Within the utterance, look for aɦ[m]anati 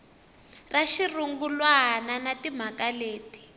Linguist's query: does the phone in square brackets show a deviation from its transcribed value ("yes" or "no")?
yes